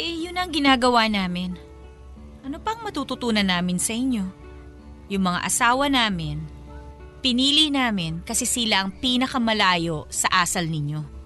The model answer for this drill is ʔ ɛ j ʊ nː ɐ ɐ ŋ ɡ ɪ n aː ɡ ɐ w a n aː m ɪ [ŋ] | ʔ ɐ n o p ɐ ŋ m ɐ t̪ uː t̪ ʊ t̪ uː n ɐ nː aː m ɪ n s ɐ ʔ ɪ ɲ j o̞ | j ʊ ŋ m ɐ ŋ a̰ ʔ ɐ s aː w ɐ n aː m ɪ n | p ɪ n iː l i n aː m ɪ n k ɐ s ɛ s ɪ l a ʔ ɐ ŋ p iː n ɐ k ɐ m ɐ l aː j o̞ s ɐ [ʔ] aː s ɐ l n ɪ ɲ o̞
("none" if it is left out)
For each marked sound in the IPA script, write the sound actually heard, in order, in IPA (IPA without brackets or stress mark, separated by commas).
n, ʔ